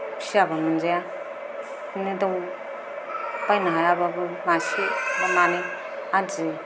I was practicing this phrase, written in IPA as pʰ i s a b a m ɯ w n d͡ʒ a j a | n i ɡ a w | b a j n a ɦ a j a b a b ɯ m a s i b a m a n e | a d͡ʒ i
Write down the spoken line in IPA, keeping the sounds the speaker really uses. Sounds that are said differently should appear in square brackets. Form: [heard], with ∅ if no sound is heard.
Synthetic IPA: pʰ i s a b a m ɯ [∅] n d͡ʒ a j a | n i [d] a w | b a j n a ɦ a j a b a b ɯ m a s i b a m a n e | a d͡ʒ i